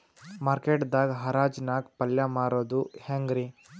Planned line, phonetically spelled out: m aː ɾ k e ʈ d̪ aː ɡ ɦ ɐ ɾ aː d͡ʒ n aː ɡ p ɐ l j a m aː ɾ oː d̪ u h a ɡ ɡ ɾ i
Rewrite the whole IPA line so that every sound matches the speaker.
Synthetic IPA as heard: m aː ɾ k e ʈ d̪ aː ɡ ɦ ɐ ɾ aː d͡ʒ n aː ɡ p ɐ l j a m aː ɾ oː d̪ u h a ŋ ɡ ɾ i